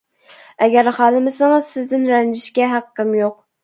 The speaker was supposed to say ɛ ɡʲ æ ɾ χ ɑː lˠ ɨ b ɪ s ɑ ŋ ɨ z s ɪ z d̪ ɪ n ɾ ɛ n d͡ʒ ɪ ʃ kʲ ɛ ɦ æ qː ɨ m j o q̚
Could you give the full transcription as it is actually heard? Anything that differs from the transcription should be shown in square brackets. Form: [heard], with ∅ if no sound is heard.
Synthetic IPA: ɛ ɡʲ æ ɾ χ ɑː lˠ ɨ [m] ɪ s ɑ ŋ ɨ z s ɪ z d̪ ɪ n ɾ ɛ n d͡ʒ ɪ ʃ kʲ ɛ ɦ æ qː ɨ m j o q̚